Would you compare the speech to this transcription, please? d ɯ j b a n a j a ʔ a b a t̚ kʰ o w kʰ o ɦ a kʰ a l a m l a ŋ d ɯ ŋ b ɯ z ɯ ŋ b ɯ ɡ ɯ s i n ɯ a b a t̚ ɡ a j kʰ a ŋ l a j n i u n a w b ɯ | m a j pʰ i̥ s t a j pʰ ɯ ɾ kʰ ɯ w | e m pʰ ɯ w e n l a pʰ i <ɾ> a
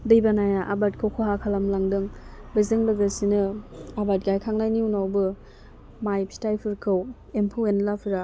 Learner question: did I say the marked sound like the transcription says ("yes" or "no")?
yes